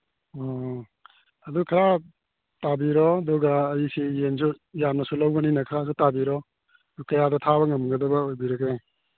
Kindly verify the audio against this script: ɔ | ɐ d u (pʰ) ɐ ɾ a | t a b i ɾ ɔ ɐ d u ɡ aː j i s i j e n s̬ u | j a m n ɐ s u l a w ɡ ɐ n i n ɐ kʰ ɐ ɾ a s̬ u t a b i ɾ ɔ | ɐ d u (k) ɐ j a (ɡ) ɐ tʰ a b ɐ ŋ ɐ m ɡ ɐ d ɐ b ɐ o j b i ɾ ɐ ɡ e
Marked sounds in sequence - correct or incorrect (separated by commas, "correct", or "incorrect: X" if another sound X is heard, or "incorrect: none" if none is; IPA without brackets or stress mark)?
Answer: incorrect: kʰ, correct, incorrect: d